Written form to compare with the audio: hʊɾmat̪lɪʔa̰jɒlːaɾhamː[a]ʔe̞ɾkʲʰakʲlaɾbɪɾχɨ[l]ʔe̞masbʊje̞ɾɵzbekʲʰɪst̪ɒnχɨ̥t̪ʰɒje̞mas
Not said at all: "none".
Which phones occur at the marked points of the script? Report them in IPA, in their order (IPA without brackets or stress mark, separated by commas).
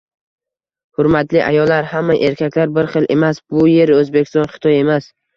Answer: a, l